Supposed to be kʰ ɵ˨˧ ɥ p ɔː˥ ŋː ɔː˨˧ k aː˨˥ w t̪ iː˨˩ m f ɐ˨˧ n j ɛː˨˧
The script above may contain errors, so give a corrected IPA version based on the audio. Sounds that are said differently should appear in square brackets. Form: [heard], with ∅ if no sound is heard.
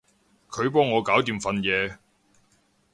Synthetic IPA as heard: kʰ ɵ˨˧ ɥ p ɔː˥ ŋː ɔː˨˧ k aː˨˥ w t̪ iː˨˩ m f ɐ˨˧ n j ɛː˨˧